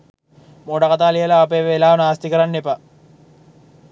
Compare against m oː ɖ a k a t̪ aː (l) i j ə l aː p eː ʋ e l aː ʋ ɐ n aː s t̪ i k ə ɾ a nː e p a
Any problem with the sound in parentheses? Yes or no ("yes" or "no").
no